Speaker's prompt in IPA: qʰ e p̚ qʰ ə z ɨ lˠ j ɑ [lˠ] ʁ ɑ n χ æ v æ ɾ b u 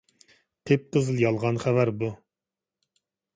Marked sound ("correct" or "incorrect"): correct